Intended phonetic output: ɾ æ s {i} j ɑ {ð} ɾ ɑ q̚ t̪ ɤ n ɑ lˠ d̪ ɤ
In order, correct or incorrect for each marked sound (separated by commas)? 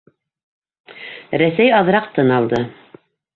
incorrect, correct